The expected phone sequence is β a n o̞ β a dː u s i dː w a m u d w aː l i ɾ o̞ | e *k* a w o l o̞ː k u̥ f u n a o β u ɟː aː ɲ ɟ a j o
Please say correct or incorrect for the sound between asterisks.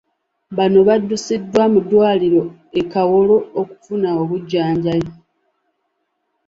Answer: correct